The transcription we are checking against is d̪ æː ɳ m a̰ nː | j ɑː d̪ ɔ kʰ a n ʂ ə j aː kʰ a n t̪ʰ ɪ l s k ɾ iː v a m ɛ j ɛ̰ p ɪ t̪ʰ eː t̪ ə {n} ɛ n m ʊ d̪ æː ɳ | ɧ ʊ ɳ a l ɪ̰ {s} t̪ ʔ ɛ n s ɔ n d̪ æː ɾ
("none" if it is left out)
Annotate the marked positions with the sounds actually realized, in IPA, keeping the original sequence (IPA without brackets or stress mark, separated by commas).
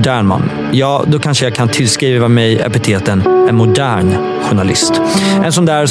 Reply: n, s